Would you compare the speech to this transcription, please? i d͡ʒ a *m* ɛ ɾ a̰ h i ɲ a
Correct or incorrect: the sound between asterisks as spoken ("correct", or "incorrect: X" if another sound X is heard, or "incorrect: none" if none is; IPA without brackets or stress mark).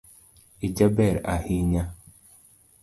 incorrect: b